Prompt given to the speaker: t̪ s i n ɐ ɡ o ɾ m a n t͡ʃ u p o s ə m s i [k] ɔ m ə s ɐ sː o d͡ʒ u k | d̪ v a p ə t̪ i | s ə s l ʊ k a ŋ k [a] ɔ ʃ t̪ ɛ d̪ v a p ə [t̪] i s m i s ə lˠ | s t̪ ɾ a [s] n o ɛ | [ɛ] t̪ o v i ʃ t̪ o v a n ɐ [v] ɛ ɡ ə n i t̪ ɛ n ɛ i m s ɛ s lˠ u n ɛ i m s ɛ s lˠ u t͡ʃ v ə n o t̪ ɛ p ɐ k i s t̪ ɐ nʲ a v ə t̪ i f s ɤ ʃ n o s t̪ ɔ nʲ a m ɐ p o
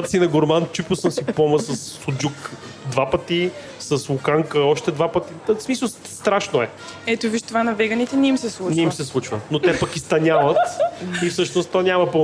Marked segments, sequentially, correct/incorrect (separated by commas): incorrect, incorrect, correct, incorrect, correct, correct